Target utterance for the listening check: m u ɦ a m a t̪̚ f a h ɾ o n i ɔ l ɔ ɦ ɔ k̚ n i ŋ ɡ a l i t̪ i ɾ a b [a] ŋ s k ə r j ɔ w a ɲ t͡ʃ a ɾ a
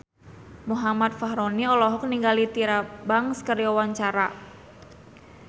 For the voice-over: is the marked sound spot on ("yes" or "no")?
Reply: yes